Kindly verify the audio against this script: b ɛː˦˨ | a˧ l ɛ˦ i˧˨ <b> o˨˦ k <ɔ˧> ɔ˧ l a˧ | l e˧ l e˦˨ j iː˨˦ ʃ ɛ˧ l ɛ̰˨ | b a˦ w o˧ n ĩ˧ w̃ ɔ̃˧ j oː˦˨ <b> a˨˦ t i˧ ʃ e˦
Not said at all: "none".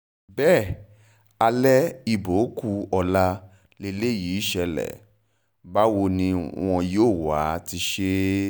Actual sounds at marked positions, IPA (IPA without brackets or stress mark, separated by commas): b, u˧, w